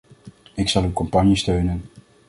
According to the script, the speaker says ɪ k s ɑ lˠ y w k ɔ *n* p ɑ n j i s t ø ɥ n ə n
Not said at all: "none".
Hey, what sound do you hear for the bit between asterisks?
m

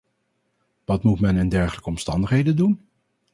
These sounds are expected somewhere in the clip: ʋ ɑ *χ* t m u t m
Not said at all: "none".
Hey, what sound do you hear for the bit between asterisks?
none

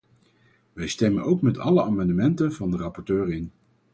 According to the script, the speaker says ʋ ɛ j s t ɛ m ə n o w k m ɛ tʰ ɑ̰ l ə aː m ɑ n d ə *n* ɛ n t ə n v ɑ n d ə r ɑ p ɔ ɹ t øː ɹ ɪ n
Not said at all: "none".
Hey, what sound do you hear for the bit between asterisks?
m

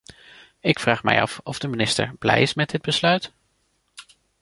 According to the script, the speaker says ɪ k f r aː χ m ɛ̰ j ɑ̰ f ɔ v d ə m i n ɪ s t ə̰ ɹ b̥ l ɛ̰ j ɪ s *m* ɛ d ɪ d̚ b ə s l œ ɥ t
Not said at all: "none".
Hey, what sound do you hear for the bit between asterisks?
m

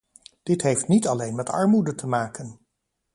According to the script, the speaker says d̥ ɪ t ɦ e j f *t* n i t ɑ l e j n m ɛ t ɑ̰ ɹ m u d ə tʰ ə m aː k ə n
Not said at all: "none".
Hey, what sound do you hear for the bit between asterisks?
t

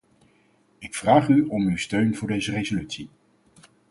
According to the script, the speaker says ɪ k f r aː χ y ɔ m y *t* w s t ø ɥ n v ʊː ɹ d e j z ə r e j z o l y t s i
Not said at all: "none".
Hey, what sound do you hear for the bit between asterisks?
none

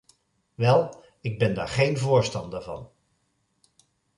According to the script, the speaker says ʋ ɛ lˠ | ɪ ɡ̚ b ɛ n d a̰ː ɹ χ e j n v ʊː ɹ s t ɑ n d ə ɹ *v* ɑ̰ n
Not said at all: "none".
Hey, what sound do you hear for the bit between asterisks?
v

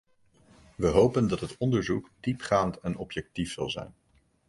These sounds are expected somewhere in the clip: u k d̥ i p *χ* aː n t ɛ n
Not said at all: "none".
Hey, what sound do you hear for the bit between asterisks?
χ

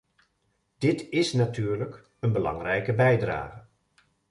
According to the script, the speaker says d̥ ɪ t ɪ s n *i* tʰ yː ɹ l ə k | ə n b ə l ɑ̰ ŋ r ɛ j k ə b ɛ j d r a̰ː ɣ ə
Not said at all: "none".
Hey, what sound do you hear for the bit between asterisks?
a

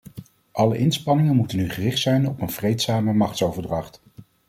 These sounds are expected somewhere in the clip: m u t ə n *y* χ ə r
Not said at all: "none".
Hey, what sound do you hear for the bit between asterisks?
y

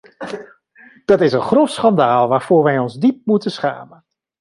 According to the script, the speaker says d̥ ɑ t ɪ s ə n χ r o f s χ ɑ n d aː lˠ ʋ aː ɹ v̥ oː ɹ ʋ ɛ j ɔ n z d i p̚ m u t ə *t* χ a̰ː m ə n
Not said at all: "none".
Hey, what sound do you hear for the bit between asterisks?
s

